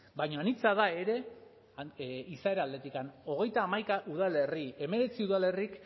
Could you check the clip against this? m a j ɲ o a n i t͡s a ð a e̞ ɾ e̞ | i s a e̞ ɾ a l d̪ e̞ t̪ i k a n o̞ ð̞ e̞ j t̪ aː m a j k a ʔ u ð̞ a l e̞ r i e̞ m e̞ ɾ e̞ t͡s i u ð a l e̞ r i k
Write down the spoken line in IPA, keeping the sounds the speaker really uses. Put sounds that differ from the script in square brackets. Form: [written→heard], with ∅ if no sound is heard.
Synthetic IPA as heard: [m→b] a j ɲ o a n i t͡s a ð a e̞ ɾ e̞ | i s a e̞ ɾ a l d̪ e̞ t̪ i k a n o̞ [ð̞→ɣ̞] e̞ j t̪ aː m a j k a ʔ u ð̞ a l e̞ r i e̞ m e̞ ɾ e̞ t͡s i u ð a l e̞ r i k

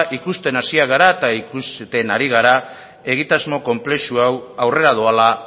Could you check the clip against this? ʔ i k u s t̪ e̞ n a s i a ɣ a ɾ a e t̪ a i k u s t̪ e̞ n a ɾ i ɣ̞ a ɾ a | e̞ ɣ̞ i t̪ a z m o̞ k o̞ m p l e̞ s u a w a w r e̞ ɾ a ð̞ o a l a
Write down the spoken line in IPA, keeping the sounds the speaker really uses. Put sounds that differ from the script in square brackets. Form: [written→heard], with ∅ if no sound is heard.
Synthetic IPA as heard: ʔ i k u s t̪ e̞ n a s i a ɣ a ɾ a e t̪ a i k u s t̪ e̞ n a ɾ i ɣ̞ a ɾ a | e̞ ɣ̞ i t̪ a z m o̞ k o̞ m p l e̞ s u a w a w r e̞ ɾ a ð̞ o a l a

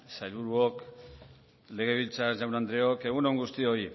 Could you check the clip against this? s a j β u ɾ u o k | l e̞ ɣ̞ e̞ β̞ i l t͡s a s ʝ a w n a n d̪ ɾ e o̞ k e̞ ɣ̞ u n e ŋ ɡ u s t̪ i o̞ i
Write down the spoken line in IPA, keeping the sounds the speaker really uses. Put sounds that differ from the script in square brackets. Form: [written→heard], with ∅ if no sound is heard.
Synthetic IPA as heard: s a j β u ɾ u o k | l e̞ ɣ̞ e̞ β̞ i l t͡s a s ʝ a w n a n d̪ ɾ e o̞ k e̞ ɣ̞ u n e ŋ ɡ u s t̪ i o̞ i

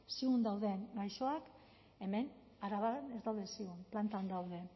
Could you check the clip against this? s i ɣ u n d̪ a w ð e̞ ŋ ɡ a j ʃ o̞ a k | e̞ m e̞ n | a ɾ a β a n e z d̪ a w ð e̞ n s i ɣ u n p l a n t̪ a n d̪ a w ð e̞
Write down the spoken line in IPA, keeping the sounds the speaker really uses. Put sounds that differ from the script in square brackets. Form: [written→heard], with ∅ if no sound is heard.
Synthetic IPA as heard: s i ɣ u n d̪ a w ð e̞ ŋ ɡ a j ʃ o̞ a k | e̞ m e̞ n | a ɾ a β a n e z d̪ a w ð e̞ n s i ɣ u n p l a n t̪ a n d̪ a w ð e̞

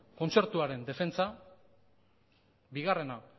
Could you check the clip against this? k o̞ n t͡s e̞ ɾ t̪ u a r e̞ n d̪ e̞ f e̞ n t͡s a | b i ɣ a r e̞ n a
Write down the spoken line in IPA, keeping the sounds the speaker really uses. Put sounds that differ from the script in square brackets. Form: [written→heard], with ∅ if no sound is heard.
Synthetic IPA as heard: k o̞ n t͡s e̞ ɾ t̪ u a [r→ɾ] e̞ n d̪ e̞ f e̞ n t͡s a | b i ɣ a r e̞ n a

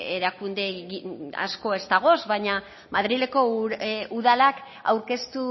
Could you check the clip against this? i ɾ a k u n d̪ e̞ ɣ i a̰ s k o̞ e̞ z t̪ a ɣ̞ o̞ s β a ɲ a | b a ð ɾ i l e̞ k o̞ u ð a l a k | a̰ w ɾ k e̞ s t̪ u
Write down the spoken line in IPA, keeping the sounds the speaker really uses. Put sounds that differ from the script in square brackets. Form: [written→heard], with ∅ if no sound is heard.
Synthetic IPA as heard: [i→e] ɾ a k u n d̪ e̞ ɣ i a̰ s k o̞ e̞ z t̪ a ɣ̞ o̞ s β a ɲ a | [b→m] a ð ɾ i l e̞ k o̞ u ð a l a k | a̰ w ɾ k e̞ s t̪ u

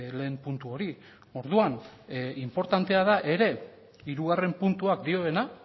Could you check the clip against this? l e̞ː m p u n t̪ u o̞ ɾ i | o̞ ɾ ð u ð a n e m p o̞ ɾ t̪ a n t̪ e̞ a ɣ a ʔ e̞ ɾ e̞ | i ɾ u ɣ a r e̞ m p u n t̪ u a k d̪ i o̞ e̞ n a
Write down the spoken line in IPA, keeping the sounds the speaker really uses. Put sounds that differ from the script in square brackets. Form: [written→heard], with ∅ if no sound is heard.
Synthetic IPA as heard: l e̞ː m p u n t̪ u o̞ ɾ i | o̞ ɾ ð u [ð→∅] a n [e→i] m p o̞ ɾ t̪ a n t̪ e̞ a [ɣ→ð] a ʔ e̞ ɾ e̞ | i ɾ u ɣ a r e̞ m p u n t̪ u a k d̪ i o̞ e̞ n a

